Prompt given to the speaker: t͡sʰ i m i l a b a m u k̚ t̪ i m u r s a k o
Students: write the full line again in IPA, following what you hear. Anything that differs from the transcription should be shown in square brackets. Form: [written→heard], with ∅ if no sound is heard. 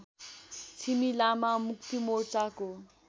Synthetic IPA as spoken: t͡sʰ i m i l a [b→m] a m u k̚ t̪ i m [u→o] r [s→t͡s] a k o

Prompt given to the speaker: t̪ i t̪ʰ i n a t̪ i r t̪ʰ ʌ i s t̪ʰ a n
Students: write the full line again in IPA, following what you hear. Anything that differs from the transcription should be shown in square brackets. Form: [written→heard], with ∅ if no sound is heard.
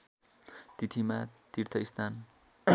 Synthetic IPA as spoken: t̪ i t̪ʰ i [n→m] a t̪ i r t̪ʰ ʌ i s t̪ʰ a n

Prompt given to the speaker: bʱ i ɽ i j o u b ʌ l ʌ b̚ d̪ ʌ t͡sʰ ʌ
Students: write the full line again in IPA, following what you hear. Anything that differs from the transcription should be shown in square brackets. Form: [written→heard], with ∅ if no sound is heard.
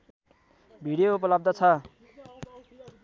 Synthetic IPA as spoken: bʱ i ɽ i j o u [b→p] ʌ l ʌ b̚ d̪ ʌ t͡sʰ ʌ

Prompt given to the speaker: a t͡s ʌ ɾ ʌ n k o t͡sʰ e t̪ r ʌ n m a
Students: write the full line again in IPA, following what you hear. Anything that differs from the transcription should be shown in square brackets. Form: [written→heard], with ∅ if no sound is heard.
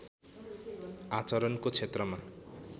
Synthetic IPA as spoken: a t͡s ʌ ɾ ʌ n k o t͡sʰ e t̪ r ʌ [n→∅] m a

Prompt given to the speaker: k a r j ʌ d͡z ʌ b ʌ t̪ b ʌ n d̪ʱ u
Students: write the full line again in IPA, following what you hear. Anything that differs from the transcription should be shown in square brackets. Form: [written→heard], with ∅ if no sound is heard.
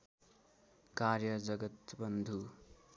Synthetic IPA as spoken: k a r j ʌ d͡z ʌ [b→ɡ] ʌ t̪ b ʌ n d̪ʱ u

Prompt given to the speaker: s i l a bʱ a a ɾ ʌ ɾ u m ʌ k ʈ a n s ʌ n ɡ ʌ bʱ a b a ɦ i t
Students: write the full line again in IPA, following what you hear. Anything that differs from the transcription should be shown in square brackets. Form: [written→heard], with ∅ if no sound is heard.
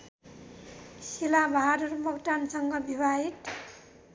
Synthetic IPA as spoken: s i l a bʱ a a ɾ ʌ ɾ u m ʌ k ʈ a n s ʌ [n→ŋ] ɡ ʌ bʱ [a→i] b a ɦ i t

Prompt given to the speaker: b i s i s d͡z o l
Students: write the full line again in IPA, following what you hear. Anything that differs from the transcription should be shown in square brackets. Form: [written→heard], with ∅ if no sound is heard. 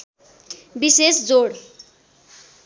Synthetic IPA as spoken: b i s [i→e] s d͡z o [l→ɽ]

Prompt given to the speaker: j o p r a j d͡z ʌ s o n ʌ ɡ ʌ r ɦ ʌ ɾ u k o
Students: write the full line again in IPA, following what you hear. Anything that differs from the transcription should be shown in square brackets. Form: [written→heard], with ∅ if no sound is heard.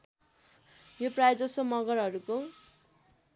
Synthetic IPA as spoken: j o p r a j d͡z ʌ s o [n→m] ʌ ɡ ʌ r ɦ ʌ ɾ u k o

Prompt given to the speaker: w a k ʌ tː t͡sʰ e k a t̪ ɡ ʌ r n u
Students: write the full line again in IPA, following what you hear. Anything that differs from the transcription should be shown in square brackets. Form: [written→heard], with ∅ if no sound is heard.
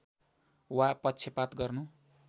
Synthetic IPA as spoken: w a [k→p] ʌ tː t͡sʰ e [k→p] a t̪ ɡ ʌ r n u

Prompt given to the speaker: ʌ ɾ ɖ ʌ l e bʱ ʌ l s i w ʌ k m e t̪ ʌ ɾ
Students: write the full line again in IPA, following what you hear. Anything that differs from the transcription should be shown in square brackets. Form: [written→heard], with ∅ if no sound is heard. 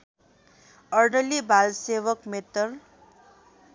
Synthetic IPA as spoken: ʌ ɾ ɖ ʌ l [e→i] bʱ [ʌ→a] l s [i→e] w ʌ k m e t̪ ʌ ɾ

